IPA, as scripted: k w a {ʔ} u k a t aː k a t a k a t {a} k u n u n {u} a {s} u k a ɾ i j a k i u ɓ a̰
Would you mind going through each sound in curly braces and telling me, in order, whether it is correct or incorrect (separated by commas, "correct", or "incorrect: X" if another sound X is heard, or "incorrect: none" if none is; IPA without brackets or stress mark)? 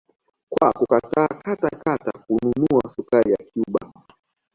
incorrect: k, correct, correct, correct